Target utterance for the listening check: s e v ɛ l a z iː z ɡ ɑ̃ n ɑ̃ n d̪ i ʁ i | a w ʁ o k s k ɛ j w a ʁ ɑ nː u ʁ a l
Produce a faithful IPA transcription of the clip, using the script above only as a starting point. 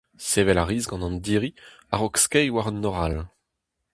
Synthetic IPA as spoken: s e v ɛ l a ʁ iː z ɡ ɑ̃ n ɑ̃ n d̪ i ʁ i | a ʁ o k s k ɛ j w a ʁ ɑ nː ɔ ʁ a l

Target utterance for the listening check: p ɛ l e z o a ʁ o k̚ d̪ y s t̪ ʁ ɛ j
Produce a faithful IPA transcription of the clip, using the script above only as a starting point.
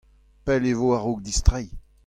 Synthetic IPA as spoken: p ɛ l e v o a ʁ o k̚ d̪ i s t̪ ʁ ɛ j

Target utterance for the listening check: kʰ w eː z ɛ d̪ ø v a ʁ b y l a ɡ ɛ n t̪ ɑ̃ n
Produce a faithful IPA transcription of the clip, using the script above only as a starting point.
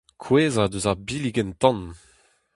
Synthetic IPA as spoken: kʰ w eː z a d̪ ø z a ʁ b i l i ɡ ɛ n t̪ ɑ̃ n

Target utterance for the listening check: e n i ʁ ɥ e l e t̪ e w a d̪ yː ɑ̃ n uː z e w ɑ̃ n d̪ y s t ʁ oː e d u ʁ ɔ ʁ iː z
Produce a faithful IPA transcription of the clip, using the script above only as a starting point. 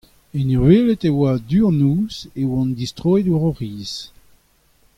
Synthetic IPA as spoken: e n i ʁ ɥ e l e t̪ e w a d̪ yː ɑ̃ n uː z e w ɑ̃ n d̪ i s t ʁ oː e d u ʁ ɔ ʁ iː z

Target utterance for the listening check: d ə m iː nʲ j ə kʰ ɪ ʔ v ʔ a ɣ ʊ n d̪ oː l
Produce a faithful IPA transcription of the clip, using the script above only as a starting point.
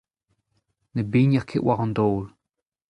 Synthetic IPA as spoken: n ə b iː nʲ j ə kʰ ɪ ʔ w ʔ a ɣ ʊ n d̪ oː l

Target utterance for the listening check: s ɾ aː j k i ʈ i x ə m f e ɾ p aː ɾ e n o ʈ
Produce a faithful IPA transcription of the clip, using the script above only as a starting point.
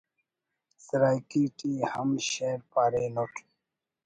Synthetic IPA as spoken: s ɾ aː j k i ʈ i h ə m ɕ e ɾ p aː ɾ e n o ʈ

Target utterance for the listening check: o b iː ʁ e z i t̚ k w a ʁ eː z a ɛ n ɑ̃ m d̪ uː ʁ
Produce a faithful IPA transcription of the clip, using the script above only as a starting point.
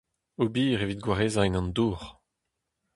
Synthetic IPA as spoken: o b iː ʁ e v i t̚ ɡ w a ʁ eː z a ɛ n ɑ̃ n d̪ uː ʁ

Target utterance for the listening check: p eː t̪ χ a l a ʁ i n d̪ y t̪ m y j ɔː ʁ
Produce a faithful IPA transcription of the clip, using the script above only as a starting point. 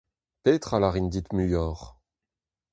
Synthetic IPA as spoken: p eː t̪ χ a l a ʁ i n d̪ i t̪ m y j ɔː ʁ

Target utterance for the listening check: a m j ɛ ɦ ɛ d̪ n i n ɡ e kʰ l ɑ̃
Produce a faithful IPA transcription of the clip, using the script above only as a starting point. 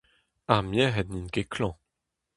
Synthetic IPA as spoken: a m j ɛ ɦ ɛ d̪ n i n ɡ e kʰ l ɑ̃

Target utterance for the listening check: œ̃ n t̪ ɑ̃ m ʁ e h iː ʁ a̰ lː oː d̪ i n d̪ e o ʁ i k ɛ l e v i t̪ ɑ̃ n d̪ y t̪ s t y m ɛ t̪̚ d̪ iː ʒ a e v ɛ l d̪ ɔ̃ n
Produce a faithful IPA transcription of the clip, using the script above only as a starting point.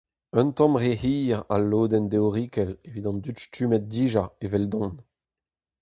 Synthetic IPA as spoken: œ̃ n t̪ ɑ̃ m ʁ e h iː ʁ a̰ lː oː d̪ ɛ n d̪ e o ʁ i k ɛ l e v i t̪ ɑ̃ n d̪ y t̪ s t y m ɛ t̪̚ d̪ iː ʒ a e v ɛ l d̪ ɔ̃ n

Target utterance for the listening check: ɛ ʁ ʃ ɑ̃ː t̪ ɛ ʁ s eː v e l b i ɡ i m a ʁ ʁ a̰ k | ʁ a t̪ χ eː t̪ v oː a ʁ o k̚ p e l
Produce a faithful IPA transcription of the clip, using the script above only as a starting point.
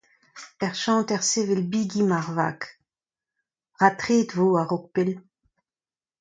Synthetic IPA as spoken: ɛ ʁ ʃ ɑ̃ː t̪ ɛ ʁ s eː v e l b i ɡ i m a ʁ v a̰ k | ʁ a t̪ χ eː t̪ v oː a ʁ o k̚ p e l

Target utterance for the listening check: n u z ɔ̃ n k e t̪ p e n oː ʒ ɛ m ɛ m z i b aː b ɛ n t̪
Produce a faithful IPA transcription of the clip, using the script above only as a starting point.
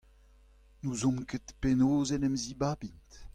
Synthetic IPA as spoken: n u z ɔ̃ m k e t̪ p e n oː z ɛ n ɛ m z i b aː b i n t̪

